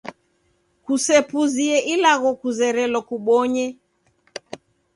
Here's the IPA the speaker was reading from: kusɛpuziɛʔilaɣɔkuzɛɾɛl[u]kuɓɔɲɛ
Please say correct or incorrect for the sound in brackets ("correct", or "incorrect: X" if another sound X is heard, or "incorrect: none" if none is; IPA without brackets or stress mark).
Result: incorrect: ɔ